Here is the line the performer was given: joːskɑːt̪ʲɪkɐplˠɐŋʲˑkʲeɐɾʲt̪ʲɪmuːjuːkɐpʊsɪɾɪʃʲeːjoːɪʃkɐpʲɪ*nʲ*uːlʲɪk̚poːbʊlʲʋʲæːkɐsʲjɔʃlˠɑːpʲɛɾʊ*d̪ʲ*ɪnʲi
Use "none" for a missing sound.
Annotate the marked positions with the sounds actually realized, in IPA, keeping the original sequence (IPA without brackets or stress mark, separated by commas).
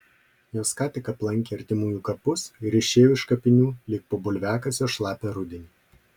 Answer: nʲ, d̪ʲ